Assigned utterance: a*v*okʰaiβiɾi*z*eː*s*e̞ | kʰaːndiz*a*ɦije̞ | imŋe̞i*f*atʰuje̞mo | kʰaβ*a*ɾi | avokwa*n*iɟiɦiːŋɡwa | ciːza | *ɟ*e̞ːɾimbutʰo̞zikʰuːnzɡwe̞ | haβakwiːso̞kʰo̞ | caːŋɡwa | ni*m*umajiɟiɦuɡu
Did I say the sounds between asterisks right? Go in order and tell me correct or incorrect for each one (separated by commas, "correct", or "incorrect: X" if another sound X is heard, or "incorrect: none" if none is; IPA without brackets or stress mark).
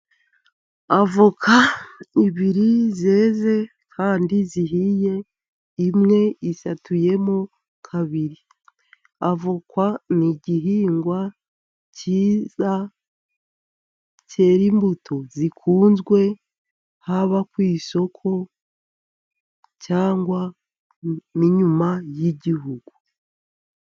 correct, correct, incorrect: z, incorrect: i, incorrect: s, incorrect: i, correct, incorrect: c, incorrect: ɲ